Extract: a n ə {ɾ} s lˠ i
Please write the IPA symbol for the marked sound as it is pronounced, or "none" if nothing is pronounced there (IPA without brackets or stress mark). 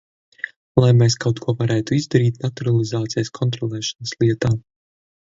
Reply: none